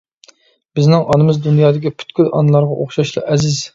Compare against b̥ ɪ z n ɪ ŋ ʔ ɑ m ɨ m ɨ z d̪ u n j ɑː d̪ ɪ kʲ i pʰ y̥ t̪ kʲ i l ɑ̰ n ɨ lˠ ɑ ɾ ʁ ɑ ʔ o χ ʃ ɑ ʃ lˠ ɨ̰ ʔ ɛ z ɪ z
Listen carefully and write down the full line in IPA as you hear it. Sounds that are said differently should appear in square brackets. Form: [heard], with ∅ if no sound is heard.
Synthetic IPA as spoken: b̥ ɪ z n ɪ ŋ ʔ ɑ [n] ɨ m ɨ z d̪ u n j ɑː d̪ ɪ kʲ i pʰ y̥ t̪ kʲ [y] l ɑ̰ n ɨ lˠ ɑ ɾ ʁ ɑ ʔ o χ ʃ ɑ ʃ lˠ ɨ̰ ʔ ɛ z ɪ z